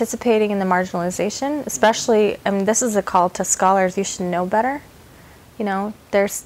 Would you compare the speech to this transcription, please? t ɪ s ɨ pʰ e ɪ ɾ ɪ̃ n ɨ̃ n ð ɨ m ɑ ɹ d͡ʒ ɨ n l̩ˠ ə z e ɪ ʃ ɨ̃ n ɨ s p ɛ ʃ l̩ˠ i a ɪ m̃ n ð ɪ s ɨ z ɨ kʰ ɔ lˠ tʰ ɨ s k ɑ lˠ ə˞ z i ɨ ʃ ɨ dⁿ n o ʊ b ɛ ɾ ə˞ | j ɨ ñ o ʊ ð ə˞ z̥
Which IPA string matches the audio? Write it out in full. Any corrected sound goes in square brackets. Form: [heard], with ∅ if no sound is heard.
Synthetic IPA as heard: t ɪ s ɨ pʰ e ɪ ɾ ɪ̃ [ŋ] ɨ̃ n ð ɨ m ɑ ɹ d͡ʒ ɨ n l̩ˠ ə z e ɪ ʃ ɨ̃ n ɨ s p ɛ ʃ l̩ˠ i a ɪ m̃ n ð ɪ s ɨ z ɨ kʰ ɔ lˠ tʰ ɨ s k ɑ lˠ ə˞ z [j] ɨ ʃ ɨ dⁿ n o ʊ b ɛ ɾ ə˞ | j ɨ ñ o ʊ ð ə˞ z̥